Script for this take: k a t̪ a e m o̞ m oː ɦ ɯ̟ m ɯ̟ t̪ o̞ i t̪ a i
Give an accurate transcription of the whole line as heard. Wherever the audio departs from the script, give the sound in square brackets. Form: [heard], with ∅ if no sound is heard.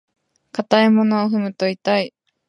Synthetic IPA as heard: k a t̪ a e m o̞ [n] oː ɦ ɯ̟ m ɯ̟ t̪ o̞ i t̪ a i

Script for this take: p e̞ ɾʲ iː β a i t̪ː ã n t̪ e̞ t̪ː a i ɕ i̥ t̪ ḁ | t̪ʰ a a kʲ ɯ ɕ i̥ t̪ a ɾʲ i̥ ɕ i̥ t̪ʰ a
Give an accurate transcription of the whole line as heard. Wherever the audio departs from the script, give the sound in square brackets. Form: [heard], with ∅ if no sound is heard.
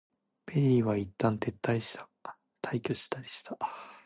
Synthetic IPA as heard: p e̞ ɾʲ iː β a i t̪ː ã n t̪ e̞ t̪ː a i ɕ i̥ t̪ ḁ | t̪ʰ a [i] kʲ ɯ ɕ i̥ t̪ a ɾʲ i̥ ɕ i̥ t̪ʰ a

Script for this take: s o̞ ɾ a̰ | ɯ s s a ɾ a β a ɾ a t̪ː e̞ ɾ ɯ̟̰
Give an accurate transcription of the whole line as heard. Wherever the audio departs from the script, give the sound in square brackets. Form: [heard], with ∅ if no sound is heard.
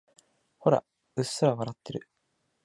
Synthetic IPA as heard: [h] o̞ ɾ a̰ | ɯ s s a ɾ a β a ɾ a t̪ː e̞ ɾ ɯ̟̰

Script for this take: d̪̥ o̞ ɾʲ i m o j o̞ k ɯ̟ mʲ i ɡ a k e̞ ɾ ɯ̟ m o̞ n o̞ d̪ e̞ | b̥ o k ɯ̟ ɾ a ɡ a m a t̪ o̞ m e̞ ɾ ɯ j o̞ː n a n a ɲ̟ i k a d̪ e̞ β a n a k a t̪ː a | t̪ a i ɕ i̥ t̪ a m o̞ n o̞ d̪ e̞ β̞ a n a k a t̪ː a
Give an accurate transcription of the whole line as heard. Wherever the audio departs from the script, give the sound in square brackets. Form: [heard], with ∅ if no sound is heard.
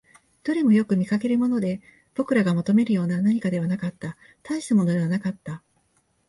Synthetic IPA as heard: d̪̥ o̞ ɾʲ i m o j o̞ k ɯ̟ mʲ i [k] a k e̞ ɾ ɯ̟ m o̞ n o̞ d̪ e̞ | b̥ o k ɯ̟ ɾ a ɡ a m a t̪ o̞ m e̞ ɾ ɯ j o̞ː n a n a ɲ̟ i k a d̪ e̞ β a n a k a t̪ː a | t̪ a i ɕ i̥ t̪ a m o̞ n o̞ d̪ e̞ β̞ a n a k a t̪ː a

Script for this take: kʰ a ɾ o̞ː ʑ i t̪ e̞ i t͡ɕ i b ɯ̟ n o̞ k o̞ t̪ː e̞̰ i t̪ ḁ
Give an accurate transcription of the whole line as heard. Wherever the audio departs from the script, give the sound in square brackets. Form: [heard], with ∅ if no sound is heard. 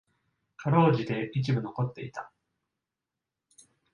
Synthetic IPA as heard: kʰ a ɾ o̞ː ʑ i [d̪] e̞ i t͡ɕ i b ɯ̟ n o̞ k o̞ t̪ː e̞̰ i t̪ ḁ

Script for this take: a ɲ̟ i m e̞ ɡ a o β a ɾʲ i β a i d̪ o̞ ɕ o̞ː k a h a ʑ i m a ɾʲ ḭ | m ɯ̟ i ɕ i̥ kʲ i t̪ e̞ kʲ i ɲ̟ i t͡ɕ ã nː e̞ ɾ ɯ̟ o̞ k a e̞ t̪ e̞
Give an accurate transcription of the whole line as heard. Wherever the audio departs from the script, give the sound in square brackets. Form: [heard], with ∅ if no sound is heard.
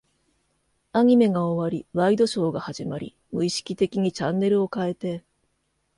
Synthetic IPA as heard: a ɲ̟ i m e̞ ɡ a o β a ɾʲ i β a i d̪ o̞ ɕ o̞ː [ɡ] a h a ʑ i m a ɾʲ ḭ | m ɯ̟ i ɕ i̥ kʲ i t̪ e̞ kʲ i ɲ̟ i t͡ɕ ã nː e̞ ɾ ɯ̟ o̞ k a e̞ t̪ e̞

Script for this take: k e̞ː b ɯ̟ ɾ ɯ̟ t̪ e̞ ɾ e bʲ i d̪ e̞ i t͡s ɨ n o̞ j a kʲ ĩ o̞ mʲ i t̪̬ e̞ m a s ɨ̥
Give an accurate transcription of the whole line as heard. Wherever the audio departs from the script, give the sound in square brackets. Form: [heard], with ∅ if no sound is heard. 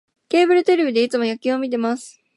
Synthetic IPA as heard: k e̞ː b ɯ̟ ɾ ɯ̟ t̪ e̞ ɾ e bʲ i d̪ e̞ i t͡s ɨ [m] o̞ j a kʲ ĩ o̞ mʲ i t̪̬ e̞ m a s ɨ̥

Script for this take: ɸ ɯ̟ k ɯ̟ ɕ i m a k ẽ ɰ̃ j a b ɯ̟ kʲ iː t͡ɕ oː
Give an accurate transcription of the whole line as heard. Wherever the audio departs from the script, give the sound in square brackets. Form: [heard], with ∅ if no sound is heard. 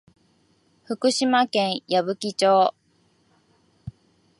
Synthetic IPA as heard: ɸ ɯ̟ k ɯ̟ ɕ i m a k ẽ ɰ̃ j a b ɯ̟ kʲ [i] t͡ɕ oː

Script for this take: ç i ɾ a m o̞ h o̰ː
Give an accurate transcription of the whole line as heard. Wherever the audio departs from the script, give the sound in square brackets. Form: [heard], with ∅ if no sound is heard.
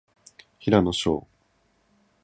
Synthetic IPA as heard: ç i ɾ a [n] o̞ [ɕ] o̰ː

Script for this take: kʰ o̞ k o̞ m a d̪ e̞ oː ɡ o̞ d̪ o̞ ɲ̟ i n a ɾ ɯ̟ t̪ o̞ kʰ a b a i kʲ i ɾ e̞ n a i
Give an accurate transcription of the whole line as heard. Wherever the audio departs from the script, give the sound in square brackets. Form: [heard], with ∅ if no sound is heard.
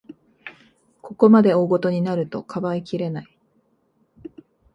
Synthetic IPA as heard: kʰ o̞ k o̞ m a d̪ e̞ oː ɡ o̞ [t̪] o̞ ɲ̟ i n a ɾ ɯ̟ t̪ o̞ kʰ a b a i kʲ i ɾ e̞ n a i

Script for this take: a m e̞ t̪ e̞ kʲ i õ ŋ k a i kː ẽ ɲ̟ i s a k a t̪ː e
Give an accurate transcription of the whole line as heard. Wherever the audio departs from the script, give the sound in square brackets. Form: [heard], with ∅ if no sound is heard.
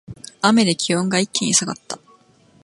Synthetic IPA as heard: a m e̞ [d̪] e̞ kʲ i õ ŋ [ɡ] a i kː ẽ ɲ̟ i s a [ɡ] a t̪ː [a]

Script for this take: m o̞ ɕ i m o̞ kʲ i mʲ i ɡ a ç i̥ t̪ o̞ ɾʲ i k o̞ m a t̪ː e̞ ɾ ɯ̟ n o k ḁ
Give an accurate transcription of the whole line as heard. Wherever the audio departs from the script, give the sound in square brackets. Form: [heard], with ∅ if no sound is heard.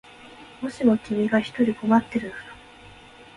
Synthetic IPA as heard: m o̞ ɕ i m o̞ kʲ i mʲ i ɡ a ç i̥ t̪ o̞ ɾʲ i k o̞ m a t̪ː e̞ ɾ ɯ̟ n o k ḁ

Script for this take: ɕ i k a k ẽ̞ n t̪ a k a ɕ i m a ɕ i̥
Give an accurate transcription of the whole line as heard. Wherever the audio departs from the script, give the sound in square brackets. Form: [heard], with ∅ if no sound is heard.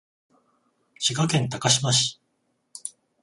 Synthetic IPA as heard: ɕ i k a k ẽ̞ n t̪ a k a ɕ i m a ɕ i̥

